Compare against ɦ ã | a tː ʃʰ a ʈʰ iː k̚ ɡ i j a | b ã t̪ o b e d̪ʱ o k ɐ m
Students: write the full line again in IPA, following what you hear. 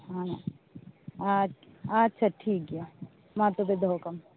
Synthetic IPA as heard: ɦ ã | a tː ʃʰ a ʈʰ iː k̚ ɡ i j a | m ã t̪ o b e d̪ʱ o k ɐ m